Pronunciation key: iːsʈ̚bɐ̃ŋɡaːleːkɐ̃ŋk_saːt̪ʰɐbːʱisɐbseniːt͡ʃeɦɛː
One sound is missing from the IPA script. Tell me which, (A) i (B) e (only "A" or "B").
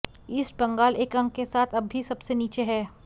B